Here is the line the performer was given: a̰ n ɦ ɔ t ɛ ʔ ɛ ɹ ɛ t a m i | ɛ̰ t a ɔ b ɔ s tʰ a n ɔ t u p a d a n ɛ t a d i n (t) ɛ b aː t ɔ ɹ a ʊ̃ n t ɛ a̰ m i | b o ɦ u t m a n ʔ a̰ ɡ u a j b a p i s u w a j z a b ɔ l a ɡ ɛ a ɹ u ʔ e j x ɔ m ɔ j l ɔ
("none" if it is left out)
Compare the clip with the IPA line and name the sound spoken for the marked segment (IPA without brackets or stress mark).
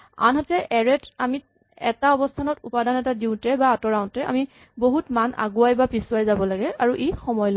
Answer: t